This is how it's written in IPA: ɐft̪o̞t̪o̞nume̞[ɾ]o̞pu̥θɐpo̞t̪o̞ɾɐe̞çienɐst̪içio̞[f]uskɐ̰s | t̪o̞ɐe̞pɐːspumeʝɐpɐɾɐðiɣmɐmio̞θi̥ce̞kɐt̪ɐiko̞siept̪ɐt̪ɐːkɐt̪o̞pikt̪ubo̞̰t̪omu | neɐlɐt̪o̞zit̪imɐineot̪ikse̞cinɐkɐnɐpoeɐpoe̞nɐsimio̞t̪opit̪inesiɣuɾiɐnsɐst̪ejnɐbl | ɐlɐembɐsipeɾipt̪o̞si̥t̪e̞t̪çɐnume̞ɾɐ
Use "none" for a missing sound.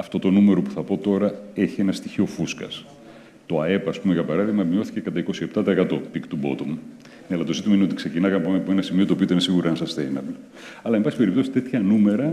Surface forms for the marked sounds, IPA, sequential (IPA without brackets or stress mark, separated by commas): ɾ, f